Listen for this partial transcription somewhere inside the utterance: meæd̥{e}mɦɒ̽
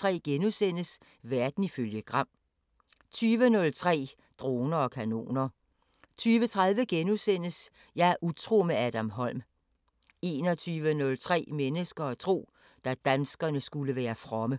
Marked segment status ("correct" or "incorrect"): incorrect